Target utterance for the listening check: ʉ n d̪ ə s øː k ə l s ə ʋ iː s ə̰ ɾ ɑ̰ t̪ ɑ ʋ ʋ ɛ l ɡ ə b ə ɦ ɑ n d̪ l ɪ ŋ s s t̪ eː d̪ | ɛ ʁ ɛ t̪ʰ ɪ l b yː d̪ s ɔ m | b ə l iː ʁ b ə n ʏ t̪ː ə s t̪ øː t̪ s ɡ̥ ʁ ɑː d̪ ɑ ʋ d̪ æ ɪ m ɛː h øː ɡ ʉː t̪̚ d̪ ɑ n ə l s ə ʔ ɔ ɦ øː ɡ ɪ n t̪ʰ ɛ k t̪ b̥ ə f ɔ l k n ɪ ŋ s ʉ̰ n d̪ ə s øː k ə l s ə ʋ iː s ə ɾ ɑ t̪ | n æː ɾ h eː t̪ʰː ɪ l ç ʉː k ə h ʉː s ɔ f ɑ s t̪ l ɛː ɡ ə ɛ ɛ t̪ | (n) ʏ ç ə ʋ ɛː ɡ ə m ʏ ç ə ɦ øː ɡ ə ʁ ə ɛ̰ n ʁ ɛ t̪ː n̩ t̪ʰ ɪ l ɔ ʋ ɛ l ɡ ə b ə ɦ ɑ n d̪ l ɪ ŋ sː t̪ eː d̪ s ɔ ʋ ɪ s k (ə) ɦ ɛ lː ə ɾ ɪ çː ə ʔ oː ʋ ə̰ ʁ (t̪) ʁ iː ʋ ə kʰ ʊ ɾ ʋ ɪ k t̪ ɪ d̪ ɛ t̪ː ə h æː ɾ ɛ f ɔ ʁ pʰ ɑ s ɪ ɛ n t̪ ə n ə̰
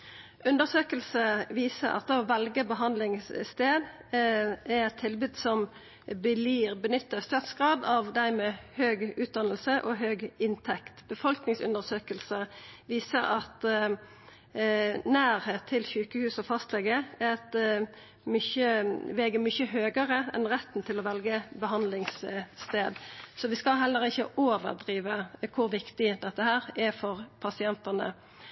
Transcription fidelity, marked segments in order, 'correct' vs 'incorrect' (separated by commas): incorrect, incorrect, incorrect